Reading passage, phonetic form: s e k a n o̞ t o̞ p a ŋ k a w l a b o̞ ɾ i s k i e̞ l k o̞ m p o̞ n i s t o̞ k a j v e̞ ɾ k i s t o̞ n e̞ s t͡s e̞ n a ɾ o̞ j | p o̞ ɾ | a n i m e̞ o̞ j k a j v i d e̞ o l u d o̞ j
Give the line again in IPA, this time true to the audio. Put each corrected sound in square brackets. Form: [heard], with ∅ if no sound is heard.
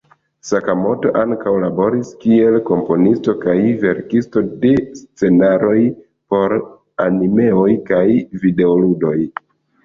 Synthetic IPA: s [a] k a [m] o̞ t o̞ [ʔ] a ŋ k a w l a b o̞ ɾ i s k i e̞ l k o̞ m p o̞ n i s t o̞ k a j v e̞ ɾ k i s t o̞ [d] e̞ s t͡s e̞ n a ɾ o̞ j | p o̞ ɾ | a n i m e̞ o̞ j k a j v i d e̞ o l u d o̞ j